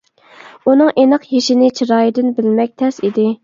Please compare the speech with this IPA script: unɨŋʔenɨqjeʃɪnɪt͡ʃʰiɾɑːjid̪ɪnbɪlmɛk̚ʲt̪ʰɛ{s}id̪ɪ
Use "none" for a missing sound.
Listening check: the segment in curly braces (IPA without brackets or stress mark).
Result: s